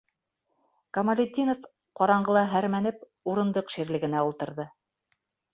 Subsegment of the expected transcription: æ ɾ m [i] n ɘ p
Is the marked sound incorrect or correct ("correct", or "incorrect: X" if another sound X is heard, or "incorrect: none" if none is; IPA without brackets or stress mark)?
incorrect: æ